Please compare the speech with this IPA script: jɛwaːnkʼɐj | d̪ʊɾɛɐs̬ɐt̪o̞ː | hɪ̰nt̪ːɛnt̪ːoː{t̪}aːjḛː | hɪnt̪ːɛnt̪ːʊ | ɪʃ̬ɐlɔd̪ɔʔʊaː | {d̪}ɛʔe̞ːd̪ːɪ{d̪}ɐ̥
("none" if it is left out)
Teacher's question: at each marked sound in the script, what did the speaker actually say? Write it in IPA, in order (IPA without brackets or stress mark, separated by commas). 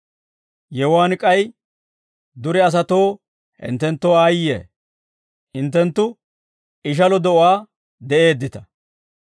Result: none, d̪, t̪